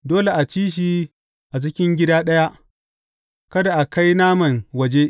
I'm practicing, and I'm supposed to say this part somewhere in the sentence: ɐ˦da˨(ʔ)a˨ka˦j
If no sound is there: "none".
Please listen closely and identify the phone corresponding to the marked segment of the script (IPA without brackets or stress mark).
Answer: ʔ